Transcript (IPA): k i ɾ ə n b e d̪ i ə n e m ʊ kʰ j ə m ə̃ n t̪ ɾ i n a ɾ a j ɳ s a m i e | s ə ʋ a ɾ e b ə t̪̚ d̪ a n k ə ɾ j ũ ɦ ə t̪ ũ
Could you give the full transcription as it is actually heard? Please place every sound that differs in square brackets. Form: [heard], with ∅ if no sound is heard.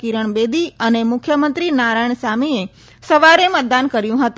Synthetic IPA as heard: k i ɾ ə [ɳ] b e d̪ i ə n e m ʊ kʰ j ə m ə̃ n t̪ ɾ i n a ɾ a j ɳ s a m i e | s ə ʋ a ɾ e [m] ə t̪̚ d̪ a n k ə ɾ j ũ ɦ ə t̪ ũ